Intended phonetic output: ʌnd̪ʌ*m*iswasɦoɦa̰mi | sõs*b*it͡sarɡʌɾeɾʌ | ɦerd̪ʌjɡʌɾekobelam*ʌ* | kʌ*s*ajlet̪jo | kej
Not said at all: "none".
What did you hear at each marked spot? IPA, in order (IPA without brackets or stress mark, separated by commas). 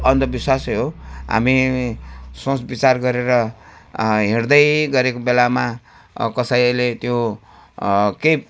b, b, a, s